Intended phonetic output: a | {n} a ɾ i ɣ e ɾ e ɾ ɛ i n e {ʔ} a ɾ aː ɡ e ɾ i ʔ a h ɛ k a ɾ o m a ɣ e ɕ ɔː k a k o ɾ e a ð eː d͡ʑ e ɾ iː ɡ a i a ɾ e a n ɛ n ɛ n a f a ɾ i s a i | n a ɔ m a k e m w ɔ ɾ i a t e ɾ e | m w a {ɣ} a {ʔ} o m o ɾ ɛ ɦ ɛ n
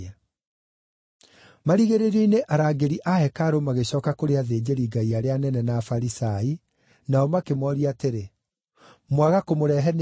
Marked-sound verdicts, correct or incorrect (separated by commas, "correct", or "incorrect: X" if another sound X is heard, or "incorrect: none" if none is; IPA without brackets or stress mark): incorrect: m, correct, correct, incorrect: k